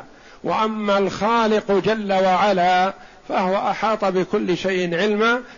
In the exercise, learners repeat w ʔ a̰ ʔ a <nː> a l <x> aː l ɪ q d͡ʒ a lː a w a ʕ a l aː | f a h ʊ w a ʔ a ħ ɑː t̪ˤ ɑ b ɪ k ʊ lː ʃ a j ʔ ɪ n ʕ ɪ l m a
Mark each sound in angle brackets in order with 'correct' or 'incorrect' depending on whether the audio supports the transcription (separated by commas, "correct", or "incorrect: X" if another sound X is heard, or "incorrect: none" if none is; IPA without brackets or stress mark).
incorrect: mː, correct